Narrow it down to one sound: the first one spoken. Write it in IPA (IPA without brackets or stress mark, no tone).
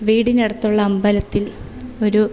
ʋ